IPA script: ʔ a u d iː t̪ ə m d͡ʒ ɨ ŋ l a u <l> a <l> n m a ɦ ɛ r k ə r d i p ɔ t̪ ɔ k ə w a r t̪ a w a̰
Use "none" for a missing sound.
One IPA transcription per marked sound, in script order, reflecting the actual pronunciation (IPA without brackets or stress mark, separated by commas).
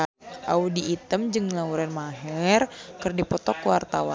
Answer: ɾ, none